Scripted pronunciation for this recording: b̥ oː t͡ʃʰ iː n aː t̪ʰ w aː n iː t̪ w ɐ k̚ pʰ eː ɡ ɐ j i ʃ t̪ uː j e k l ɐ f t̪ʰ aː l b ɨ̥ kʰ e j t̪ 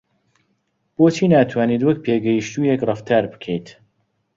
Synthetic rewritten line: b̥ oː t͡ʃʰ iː n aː t̪ʰ w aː n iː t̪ w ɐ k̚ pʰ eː ɡ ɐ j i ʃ t̪ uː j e k r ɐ f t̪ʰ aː ɾ b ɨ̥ kʰ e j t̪